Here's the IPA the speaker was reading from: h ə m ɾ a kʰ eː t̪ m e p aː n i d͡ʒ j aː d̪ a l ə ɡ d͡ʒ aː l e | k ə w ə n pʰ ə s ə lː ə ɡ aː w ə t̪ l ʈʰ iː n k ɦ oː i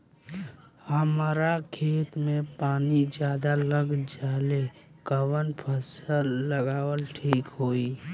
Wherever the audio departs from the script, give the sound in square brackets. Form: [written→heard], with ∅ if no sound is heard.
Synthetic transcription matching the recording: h ə m ɾ a kʰ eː t̪ m e p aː n i d͡ʒ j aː d̪ a l ə ɡ d͡ʒ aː l e | k ə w ə n pʰ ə s ə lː ə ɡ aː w ə [t̪→∅] l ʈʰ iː [n→∅] k ɦ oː i